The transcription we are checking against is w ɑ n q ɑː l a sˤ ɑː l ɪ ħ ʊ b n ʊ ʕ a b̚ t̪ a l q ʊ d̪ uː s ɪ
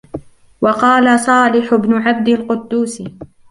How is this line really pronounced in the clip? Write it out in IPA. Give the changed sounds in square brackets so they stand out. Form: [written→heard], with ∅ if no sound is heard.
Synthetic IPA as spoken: w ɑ [n→∅] q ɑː l a sˤ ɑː l ɪ ħ ʊ b n ʊ ʕ a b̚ [t̪→d̪] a l q ʊ [d̪→d̪ː] uː s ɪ